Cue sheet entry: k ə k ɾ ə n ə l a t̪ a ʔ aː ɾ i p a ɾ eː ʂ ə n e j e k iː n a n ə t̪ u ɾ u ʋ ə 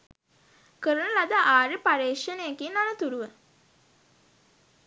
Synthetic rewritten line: k ə ɾ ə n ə l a d̪ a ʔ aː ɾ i p a ɾ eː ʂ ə n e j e k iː n a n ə t̪ u ɾ u ʋ ə

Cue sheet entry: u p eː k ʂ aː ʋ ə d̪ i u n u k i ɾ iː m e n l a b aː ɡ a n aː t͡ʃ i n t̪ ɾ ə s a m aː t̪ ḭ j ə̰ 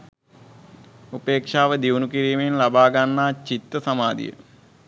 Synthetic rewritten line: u p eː k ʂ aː ʋ ə d̪ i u n u k i ɾ iː m e n l a b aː ɡ a nː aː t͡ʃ i t̪ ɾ ə s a m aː d̪ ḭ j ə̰

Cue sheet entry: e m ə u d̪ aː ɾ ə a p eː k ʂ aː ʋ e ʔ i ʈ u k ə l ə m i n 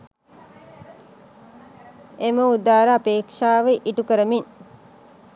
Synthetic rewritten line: e m ə u d̪ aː ɾ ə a p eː k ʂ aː ʋ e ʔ i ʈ u k ə ɾ ə m i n

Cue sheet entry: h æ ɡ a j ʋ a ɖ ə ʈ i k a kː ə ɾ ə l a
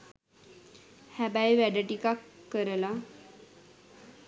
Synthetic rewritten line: h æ b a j ʋ æ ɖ ə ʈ i k a kː ə ɾ ə l a

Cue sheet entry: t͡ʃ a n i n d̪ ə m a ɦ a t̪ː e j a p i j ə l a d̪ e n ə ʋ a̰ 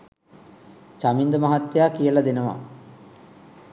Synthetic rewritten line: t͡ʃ a m i n d̪ ə m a ɦ a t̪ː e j a k i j ə l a d̪ e n ə ʋ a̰

